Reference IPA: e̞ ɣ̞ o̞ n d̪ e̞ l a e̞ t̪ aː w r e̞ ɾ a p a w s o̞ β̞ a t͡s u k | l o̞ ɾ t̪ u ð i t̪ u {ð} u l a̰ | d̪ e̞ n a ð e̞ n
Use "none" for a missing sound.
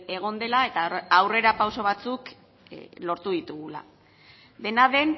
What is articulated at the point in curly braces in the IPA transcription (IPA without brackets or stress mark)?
ɣ